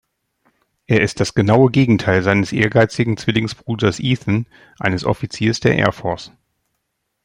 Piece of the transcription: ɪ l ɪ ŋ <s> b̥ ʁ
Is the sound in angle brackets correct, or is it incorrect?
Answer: correct